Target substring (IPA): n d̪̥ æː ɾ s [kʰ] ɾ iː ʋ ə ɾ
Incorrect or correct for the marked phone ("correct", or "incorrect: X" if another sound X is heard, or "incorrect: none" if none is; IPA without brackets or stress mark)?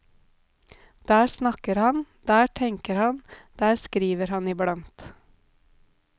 incorrect: k